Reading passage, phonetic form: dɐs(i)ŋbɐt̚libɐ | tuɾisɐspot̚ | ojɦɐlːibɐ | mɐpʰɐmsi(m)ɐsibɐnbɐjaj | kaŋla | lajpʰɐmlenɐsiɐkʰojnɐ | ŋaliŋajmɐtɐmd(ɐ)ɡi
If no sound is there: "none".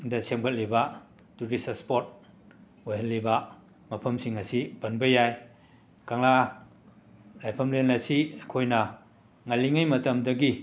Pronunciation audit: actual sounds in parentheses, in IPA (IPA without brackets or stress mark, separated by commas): e, ŋ, ɐ